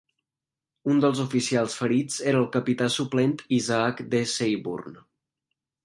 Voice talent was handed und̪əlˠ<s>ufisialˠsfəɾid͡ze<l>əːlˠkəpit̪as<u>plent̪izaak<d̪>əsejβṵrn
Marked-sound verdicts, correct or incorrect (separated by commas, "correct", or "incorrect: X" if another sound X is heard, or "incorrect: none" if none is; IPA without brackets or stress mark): incorrect: z, incorrect: ɾ, correct, correct